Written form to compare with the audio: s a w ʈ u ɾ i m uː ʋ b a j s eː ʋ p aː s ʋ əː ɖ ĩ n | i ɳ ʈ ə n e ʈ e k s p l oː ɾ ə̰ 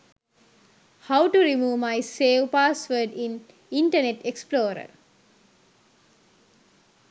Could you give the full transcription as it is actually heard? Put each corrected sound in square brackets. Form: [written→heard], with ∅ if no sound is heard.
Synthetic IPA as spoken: [s→h] a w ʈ u ɾ i m uː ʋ [b→m] a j s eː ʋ p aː s ʋ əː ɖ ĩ n | i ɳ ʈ ə n e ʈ e k s p l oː ɾ ə̰